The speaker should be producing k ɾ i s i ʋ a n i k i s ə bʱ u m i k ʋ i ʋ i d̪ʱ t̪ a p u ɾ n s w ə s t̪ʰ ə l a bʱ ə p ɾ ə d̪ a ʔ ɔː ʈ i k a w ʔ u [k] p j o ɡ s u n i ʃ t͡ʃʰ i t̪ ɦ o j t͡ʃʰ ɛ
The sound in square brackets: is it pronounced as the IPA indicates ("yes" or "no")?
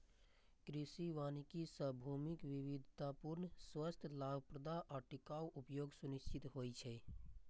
no